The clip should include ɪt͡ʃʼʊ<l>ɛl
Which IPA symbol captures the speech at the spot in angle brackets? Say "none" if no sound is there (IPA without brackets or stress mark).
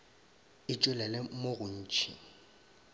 l